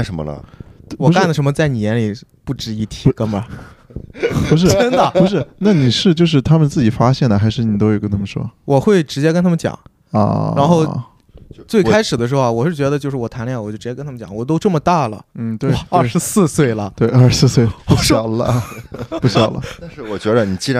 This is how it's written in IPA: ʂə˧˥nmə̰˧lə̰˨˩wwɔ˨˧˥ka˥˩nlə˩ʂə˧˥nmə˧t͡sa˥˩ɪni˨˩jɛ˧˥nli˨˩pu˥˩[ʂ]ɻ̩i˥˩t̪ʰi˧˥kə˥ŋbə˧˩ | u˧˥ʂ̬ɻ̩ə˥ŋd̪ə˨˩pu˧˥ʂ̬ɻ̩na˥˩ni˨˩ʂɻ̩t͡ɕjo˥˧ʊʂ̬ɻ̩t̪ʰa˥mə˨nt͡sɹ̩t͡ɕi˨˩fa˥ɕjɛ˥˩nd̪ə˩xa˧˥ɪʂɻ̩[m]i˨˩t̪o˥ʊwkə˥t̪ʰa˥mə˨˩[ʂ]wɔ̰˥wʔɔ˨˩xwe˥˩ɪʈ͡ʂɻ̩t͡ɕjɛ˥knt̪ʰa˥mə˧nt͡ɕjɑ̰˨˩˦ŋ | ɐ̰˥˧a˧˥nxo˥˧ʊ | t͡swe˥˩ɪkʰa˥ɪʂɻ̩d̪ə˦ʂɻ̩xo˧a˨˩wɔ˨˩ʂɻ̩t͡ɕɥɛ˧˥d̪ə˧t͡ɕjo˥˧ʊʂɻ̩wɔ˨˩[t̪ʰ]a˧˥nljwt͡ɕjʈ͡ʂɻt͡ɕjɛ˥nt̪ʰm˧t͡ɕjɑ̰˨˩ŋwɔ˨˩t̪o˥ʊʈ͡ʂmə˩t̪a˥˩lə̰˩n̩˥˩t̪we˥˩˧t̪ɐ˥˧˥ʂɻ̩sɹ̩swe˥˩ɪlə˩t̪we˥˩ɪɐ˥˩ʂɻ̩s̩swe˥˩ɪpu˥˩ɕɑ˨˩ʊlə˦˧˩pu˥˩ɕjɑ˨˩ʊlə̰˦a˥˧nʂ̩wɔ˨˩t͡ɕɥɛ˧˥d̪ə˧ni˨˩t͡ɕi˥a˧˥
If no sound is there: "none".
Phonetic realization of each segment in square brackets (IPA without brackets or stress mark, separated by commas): ʈ͡ʂ, n, ʂ, t̪ʰ